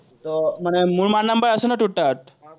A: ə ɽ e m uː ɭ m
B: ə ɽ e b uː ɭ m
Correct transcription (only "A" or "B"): A